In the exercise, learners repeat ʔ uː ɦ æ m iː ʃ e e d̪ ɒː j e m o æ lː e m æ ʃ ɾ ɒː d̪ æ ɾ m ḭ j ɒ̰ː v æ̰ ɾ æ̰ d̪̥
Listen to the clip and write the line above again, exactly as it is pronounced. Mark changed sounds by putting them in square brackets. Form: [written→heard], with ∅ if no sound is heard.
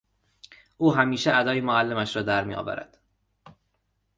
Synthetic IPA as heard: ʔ uː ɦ æ m iː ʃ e [e→æ] d̪ ɒː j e m o æ lː e m æ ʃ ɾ ɒː d̪ æ ɾ m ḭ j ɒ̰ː v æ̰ ɾ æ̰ d̪̥